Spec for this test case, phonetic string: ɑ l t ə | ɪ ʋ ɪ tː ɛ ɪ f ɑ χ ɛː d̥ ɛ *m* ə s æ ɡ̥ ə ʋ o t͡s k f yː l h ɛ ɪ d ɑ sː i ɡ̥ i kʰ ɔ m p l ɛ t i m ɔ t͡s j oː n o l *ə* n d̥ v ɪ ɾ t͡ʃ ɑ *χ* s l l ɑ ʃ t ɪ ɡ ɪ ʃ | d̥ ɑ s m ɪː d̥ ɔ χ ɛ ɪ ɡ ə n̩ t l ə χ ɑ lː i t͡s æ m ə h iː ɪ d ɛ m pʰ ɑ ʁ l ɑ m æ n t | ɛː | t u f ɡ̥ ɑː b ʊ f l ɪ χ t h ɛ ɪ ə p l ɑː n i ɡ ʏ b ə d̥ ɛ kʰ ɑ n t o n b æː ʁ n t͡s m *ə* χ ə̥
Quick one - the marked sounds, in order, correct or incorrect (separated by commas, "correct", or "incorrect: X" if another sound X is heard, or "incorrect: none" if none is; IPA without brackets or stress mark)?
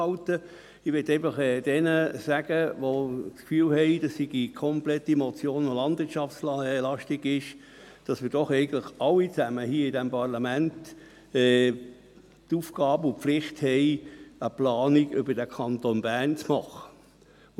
incorrect: n, incorrect: ɑ, incorrect: f, incorrect: ɑ